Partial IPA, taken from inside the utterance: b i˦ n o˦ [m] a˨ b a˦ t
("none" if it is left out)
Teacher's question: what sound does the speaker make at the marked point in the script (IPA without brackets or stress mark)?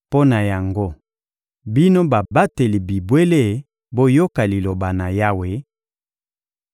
b